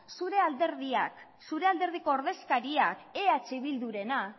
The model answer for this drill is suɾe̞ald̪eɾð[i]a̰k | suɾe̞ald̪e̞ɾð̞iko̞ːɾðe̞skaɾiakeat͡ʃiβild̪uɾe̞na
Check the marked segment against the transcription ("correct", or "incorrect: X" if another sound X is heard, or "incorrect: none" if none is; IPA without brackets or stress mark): correct